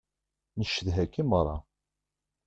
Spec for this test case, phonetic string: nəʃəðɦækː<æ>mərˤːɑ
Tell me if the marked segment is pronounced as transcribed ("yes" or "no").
no